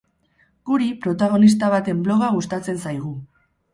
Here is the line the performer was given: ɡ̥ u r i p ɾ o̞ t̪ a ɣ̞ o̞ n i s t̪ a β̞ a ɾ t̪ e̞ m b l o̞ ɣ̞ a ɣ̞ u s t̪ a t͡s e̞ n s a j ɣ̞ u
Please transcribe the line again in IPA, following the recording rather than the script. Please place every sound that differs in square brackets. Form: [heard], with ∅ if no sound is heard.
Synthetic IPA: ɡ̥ u [ɾ] i p ɾ o̞ t̪ a ɣ̞ o̞ n i s t̪ a β̞ a [∅] t̪ e̞ m b l o̞ ɣ̞ a ɣ̞ u s t̪ a t͡s e̞ n s a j ɣ̞ u